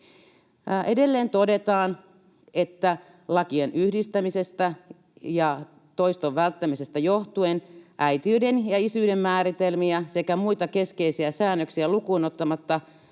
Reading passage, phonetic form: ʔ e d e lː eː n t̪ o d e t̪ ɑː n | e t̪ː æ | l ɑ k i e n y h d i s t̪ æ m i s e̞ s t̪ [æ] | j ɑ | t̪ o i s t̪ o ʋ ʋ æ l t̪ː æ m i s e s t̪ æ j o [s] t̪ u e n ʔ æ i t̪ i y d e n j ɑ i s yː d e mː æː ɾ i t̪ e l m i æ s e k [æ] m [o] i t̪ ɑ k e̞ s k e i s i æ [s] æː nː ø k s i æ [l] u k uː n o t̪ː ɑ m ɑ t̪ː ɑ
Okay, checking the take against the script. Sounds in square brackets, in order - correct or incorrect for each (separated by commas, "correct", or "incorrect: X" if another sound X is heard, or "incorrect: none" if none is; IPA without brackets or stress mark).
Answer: correct, incorrect: h, correct, incorrect: u, correct, correct